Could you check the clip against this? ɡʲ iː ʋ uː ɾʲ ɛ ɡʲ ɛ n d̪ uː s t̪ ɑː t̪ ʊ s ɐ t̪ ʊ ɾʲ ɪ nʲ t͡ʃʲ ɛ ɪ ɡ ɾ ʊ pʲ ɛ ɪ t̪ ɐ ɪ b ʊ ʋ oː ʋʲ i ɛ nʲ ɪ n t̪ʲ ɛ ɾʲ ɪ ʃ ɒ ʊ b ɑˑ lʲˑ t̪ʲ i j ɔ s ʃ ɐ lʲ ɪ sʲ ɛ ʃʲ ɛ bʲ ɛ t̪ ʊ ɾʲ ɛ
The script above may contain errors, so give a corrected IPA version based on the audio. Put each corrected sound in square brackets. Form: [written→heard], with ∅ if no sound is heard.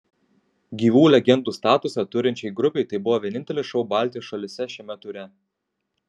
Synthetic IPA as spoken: ɡʲ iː ʋ uː [ɾʲ→lʲ] ɛ ɡʲ ɛ n d̪ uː s t̪ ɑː t̪ ʊ s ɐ t̪ ʊ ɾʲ ɪ nʲ t͡ʃʲ ɛ ɪ ɡ ɾ ʊ pʲ ɛ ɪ t̪ ɐ ɪ b ʊ ʋ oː ʋʲ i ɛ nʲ ɪ n t̪ʲ ɛ [ɾʲ→lʲ] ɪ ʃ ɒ ʊ b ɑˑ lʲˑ t̪ʲ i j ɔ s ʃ ɐ lʲ ɪ sʲ ɛ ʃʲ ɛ [bʲ→mʲ] ɛ t̪ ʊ ɾʲ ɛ